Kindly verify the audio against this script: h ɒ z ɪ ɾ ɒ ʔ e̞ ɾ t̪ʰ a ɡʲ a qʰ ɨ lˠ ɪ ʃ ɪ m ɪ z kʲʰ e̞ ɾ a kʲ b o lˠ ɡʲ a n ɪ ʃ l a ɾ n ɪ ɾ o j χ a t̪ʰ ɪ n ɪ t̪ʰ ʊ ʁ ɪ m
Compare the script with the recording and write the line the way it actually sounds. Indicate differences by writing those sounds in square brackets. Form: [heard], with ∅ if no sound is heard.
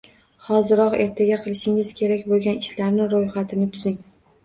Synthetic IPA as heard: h ɒ z ɪ ɾ ɒ [q] e̞ ɾ t̪ʰ a ɡʲ a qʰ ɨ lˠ ɪ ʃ ɪ [ŋ] ɪ z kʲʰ e̞ ɾ a kʲ b o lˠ ɡʲ a n ɪ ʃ l a ɾ n ɪ ɾ o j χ a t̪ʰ ɪ n ɪ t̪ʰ ʊ [z] ɪ [ŋ]